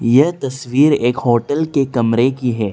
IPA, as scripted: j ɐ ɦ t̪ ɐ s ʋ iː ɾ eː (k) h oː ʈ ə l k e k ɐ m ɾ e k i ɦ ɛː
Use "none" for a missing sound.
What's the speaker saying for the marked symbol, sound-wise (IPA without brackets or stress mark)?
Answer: k